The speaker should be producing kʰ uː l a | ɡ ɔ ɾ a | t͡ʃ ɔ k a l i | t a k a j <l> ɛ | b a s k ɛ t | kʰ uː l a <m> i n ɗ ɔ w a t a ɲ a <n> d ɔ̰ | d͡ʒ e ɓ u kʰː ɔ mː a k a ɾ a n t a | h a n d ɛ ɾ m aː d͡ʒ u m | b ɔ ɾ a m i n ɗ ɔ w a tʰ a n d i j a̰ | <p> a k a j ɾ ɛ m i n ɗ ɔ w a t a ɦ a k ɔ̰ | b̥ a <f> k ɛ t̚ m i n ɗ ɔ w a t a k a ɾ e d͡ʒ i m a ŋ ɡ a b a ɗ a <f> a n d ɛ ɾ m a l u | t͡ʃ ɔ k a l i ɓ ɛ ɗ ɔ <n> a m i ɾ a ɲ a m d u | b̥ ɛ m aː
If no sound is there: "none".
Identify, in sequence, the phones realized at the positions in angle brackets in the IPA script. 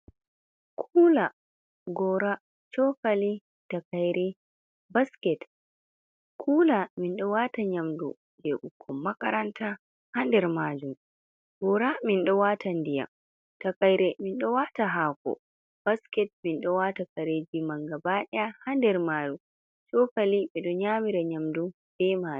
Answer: ɾ, m, m, t, s, h, ɲ

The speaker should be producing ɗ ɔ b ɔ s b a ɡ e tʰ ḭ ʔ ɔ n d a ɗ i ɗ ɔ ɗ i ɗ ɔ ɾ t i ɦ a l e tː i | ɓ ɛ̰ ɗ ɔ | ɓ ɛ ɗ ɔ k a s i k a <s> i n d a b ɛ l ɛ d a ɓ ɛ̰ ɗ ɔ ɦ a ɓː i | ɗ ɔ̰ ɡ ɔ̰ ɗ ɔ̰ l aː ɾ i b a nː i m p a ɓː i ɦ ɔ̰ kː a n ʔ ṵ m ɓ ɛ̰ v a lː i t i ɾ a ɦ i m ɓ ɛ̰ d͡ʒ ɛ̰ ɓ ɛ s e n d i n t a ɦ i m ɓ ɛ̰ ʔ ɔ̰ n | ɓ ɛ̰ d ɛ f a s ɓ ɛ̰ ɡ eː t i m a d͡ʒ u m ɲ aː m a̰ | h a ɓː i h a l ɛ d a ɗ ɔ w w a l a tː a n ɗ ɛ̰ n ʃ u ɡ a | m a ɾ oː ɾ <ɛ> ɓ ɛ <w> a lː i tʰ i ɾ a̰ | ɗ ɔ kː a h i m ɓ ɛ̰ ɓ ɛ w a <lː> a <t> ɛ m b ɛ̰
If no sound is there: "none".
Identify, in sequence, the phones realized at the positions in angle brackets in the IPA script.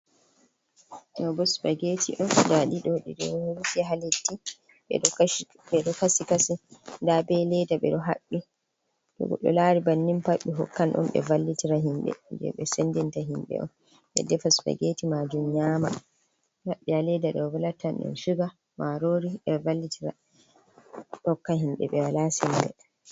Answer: s, i, v, l, s

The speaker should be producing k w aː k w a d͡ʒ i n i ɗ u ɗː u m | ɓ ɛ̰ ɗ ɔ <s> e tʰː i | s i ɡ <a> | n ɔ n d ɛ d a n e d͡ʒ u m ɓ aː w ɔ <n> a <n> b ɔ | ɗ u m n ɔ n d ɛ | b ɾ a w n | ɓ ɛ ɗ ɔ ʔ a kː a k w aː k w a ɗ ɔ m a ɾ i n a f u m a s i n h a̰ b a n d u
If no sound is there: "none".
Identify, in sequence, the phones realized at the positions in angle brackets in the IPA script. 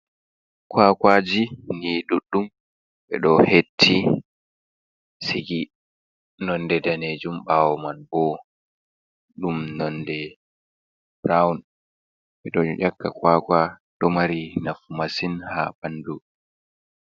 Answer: h, i, m, n

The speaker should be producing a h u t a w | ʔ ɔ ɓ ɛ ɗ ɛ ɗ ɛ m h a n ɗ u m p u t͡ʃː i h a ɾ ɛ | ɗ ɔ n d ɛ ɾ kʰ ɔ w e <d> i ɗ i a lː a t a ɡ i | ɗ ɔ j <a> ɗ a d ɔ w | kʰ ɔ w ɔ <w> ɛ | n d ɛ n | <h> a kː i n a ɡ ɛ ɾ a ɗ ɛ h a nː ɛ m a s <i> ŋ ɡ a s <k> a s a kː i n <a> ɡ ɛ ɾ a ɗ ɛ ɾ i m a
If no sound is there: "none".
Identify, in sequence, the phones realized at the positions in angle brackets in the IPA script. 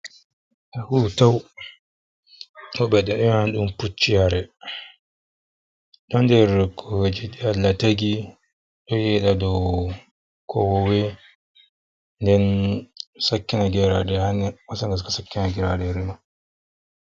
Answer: d͡ʒ, ɛ, w, s, a, k, a

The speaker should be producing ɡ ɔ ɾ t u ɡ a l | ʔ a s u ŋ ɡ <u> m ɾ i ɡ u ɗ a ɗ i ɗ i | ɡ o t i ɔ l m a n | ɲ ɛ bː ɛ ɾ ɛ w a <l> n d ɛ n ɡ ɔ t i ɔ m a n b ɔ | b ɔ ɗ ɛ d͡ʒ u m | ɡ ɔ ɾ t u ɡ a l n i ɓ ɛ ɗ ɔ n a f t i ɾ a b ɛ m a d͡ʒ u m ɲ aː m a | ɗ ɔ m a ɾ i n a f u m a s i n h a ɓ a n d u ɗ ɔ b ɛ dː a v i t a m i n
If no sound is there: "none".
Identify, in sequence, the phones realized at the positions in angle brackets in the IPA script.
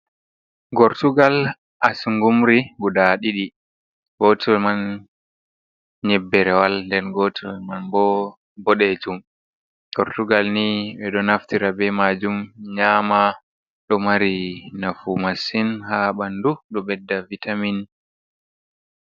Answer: u, l

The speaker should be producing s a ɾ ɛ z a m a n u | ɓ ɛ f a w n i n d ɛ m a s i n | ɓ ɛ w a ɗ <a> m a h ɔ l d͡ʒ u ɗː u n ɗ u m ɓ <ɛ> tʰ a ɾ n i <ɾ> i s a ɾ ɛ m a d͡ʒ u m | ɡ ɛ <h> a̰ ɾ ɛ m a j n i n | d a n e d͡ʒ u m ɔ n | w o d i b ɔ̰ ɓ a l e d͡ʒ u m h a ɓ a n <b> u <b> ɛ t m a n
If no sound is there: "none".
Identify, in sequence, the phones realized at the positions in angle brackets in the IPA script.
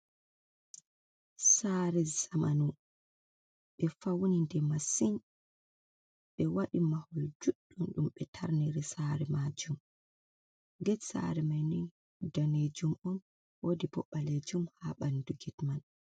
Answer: i, ɛ, ɾ, s, d, ɡ

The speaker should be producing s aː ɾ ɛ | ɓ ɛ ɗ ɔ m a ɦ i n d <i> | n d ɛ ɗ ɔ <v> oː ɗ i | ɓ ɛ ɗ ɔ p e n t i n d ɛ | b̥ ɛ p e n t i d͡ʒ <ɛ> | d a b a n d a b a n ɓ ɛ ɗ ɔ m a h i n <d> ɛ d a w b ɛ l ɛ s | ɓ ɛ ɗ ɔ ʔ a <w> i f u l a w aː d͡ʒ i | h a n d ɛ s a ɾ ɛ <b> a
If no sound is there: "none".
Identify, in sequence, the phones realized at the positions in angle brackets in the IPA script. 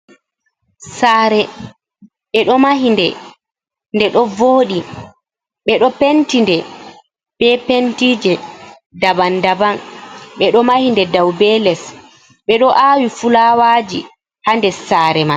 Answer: ɛ, v, ɛ, d, w, m

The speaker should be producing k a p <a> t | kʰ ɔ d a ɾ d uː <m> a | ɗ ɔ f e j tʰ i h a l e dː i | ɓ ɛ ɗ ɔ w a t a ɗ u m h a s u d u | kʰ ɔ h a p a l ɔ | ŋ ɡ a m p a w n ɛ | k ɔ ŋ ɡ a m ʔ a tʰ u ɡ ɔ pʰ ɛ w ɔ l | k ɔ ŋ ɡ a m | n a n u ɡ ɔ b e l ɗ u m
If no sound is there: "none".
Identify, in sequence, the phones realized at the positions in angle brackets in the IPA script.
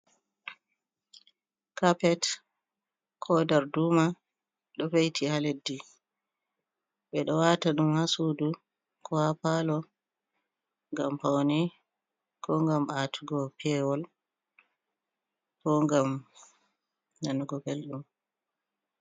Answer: ɛ, m

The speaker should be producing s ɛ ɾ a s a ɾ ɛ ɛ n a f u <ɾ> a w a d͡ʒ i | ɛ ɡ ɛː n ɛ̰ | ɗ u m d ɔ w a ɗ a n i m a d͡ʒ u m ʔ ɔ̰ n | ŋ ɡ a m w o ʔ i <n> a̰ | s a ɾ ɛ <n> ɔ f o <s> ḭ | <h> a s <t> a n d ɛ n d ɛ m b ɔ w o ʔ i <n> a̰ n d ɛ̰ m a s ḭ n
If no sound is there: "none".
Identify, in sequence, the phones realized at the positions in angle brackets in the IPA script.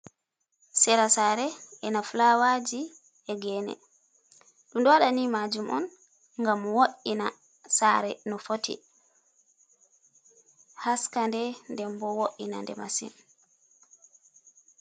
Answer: l, n, n, t, h, k, n

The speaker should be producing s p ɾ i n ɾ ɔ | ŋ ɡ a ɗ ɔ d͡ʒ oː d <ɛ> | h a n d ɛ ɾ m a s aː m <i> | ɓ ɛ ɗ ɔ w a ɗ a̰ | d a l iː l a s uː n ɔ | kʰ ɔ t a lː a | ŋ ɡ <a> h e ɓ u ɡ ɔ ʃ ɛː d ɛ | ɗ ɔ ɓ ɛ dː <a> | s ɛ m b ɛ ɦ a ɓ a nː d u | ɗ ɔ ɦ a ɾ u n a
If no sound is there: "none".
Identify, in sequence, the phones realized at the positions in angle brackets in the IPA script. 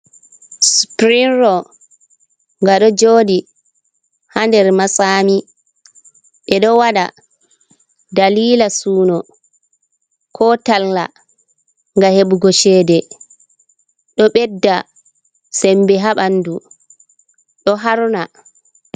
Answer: i, i, a, a

